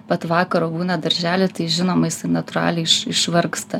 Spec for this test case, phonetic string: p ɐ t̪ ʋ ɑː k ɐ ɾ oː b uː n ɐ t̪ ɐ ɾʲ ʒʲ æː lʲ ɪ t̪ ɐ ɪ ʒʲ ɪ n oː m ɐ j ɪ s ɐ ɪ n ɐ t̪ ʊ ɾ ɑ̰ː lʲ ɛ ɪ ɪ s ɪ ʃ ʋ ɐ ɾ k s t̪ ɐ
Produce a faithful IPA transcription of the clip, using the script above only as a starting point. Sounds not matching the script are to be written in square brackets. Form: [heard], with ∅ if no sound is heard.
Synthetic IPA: p ɐ t̪ ʋ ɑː k ɐ ɾ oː b uː n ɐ [d̪] ɐ ɾʲ ʒʲ æː lʲ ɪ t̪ ɐ ɪ ʒʲ ɪ n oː m ɐ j ɪ s ɐ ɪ n ɐ t̪ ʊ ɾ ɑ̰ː lʲ ɛ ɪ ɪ [ʃ] ɪ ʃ ʋ ɐ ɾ k s t̪ ɐ